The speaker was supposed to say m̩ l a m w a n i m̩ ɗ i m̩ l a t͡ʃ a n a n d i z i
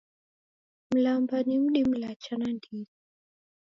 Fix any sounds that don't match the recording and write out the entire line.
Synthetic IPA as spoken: m̩ l a m b a n i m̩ ɗ i m̩ l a t͡ʃ a n a n d i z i